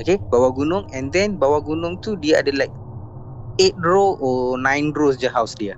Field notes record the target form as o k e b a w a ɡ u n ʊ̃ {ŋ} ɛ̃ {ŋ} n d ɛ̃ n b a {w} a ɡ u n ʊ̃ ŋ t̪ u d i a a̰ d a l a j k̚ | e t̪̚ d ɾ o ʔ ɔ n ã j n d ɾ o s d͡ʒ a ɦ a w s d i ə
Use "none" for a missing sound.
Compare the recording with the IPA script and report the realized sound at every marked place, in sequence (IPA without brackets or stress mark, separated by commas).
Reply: ŋ, none, w